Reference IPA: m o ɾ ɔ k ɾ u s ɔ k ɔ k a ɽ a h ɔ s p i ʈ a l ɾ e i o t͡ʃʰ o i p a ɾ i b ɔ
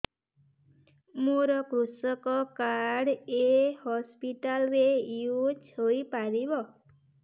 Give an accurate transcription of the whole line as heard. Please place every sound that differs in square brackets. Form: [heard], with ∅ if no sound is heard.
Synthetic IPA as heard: m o ɾ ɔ k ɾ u s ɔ k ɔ k a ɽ [e] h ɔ s p i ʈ a l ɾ e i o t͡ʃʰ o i p a ɾ i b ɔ